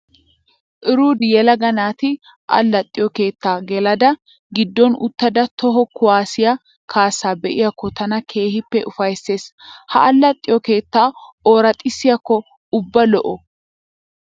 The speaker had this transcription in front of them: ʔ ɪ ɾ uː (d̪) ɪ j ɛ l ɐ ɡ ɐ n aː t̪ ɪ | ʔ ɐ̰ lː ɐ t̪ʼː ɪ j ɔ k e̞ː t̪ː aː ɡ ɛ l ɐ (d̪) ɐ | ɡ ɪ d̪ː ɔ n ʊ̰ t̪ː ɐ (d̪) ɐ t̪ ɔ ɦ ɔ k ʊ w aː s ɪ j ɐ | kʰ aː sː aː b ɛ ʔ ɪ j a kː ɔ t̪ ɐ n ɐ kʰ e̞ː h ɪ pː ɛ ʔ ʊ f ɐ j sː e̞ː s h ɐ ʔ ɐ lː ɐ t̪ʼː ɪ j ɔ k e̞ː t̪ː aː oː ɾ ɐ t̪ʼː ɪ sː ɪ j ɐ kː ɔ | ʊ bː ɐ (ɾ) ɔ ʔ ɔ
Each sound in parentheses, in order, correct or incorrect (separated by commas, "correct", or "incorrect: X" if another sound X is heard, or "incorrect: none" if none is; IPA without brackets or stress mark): correct, correct, correct, incorrect: l